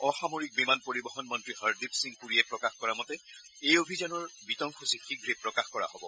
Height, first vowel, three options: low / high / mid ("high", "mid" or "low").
mid